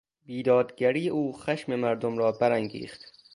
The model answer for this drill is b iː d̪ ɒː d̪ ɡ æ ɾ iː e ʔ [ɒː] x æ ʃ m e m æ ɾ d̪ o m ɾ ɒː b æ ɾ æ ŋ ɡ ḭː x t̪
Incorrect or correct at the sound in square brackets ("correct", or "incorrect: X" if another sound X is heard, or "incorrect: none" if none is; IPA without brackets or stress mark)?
incorrect: uː